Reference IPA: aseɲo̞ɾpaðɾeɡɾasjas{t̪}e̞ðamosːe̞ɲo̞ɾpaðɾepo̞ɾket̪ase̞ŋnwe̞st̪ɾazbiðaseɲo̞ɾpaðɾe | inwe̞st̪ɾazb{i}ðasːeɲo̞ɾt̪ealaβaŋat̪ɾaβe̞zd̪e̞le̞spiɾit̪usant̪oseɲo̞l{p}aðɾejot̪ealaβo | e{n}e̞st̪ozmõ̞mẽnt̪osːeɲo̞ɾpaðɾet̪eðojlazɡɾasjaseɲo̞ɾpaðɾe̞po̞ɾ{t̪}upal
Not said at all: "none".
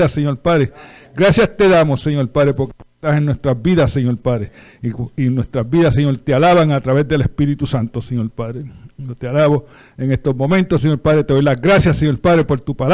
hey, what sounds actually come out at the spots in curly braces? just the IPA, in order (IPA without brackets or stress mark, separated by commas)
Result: t̪, i, p, ŋ, t̪